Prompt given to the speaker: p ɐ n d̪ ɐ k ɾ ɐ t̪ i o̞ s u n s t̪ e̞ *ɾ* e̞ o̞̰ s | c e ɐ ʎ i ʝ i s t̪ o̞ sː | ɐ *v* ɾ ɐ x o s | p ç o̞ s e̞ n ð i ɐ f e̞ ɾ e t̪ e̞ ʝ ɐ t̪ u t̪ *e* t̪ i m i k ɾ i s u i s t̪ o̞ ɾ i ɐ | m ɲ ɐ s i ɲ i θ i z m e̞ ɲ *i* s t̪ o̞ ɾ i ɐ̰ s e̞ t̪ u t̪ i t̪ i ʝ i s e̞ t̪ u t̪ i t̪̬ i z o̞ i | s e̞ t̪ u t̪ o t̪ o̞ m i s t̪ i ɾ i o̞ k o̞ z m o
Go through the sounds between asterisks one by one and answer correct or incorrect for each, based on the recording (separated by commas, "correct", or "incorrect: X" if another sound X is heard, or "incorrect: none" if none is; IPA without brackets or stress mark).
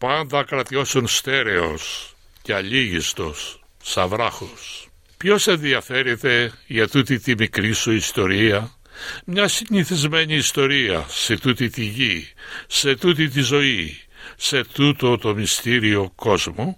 correct, correct, incorrect: i, incorrect: iː